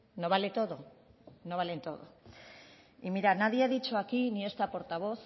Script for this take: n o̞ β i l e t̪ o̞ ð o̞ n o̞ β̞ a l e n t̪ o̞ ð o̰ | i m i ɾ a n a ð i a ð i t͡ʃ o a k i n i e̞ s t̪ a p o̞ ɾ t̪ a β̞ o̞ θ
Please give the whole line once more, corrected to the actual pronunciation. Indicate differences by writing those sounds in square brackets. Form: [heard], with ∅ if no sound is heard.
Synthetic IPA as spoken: n o̞ β [a] l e t̪ o̞ ð o̞ n o̞ β̞ a l e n t̪ o̞ ð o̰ | i m i ɾ a n a ð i a ð i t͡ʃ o a k i n i e̞ s t̪ a p o̞ ɾ t̪ a β̞ o̞ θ